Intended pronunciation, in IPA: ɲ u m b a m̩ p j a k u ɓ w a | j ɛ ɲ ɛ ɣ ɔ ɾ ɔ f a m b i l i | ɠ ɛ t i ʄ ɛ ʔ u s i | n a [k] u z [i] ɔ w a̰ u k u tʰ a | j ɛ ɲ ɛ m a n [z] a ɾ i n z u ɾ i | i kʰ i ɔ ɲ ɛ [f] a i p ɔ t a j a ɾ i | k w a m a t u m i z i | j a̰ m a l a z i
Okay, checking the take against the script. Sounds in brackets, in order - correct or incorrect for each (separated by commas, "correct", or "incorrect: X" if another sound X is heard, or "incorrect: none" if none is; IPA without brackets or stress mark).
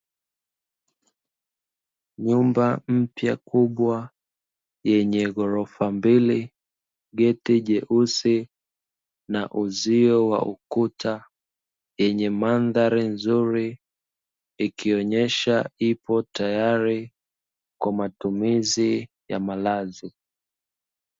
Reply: incorrect: ʔ, correct, incorrect: ð, incorrect: ʃ